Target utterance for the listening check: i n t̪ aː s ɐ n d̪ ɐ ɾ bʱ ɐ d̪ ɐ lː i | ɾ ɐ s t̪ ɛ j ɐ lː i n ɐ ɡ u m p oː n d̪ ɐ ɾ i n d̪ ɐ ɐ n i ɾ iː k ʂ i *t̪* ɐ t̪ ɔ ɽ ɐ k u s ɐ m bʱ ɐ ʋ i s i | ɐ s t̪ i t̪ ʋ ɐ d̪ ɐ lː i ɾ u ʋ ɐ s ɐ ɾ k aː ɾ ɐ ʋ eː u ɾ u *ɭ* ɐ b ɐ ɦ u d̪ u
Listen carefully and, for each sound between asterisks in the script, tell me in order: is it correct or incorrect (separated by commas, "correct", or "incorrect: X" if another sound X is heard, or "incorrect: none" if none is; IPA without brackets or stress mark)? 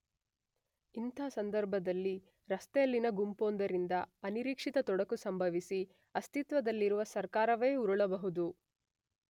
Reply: correct, correct